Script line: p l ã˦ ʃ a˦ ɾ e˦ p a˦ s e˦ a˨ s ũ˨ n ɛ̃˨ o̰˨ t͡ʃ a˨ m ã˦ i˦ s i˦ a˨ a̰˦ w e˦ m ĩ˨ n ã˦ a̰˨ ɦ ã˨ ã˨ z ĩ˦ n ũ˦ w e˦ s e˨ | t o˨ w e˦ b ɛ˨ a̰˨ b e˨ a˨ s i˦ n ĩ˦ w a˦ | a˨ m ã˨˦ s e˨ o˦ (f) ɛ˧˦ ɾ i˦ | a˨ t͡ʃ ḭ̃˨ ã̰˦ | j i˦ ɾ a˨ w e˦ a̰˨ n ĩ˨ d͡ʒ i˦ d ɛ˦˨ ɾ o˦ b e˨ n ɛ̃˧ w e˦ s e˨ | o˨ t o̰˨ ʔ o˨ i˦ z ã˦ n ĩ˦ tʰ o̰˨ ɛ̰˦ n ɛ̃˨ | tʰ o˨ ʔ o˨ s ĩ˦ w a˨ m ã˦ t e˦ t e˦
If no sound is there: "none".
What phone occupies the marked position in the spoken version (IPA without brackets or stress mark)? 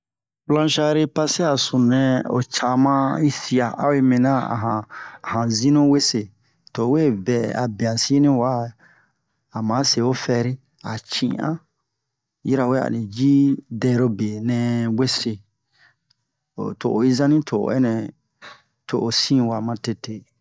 f